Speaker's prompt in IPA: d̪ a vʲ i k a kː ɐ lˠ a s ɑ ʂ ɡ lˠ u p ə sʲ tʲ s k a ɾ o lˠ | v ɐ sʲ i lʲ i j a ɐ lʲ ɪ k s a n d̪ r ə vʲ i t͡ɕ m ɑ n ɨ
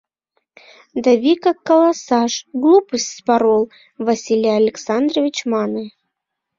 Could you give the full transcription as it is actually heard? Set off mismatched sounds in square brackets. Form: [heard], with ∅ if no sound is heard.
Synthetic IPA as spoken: d̪ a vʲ i k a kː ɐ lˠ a s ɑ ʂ ɡ lˠ u p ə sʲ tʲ s [p] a ɾ o lˠ | v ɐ sʲ i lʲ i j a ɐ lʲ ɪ k s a n d̪ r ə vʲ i t͡ɕ m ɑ n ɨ